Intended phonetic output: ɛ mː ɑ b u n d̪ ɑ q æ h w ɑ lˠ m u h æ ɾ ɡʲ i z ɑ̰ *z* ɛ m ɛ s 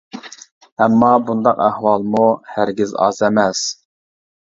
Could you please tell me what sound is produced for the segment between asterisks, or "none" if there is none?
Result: z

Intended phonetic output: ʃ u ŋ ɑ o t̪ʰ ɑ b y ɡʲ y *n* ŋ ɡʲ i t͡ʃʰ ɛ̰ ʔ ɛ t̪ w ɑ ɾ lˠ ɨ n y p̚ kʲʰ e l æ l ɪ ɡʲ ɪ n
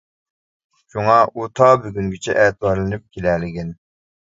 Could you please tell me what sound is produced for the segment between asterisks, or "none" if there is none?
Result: none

